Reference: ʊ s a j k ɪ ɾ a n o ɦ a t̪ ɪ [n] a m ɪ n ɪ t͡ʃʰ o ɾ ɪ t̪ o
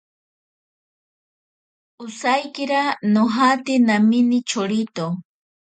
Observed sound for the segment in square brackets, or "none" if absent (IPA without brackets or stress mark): n